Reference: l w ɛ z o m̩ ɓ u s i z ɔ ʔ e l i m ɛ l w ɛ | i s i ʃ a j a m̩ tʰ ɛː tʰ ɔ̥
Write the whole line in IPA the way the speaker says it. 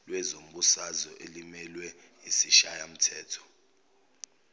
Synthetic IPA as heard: l w ɛ z o m̩ ɓ u s a z ɔ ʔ e l i m ɛ l w ɛ | i s i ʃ a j a m̩ tʰ ɛː tʰ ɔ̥